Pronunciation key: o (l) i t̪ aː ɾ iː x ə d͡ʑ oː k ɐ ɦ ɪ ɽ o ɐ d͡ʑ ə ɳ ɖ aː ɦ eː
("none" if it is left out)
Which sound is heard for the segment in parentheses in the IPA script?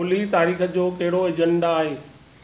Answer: l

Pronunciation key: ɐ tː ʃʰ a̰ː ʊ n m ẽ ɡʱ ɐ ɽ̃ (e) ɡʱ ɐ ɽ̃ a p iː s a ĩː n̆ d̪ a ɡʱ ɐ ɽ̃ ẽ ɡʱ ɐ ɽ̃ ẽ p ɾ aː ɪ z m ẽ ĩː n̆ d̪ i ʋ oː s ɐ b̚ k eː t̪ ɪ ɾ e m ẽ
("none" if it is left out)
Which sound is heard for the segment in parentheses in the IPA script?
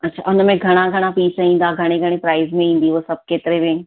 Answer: a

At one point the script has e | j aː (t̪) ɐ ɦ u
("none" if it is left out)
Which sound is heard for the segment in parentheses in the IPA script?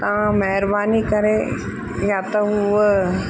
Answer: t̪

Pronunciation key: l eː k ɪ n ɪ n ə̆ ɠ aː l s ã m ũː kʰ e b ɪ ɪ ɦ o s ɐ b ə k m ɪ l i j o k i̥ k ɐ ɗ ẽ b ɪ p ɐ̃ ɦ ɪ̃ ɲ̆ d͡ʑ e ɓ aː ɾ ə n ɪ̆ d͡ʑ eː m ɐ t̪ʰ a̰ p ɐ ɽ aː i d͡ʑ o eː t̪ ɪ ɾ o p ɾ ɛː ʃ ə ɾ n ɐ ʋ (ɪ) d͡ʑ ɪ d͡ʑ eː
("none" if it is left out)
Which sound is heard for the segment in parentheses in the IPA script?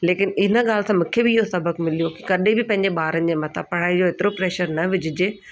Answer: ɪ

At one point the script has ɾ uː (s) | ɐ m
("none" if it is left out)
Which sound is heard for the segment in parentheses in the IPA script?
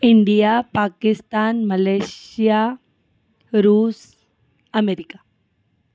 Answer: s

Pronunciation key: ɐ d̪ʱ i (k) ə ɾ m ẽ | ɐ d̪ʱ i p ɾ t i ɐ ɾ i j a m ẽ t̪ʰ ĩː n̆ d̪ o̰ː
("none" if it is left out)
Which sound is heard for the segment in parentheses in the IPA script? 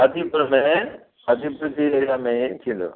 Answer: p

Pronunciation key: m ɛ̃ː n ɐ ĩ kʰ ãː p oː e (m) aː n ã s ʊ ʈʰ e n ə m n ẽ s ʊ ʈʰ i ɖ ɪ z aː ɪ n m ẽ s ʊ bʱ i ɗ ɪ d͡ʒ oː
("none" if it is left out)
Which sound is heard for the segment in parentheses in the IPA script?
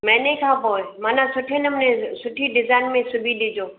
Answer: m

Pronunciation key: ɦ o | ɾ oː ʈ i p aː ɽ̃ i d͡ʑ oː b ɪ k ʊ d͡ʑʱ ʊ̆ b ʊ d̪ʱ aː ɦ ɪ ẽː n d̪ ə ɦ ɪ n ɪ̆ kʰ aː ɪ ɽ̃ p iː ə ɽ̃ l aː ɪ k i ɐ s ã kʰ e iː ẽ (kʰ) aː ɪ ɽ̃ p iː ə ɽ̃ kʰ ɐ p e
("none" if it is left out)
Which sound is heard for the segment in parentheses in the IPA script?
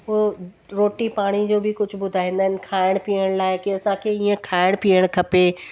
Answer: kʰ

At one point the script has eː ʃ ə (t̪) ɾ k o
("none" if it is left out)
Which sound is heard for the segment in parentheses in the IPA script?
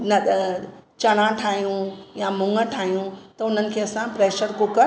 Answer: none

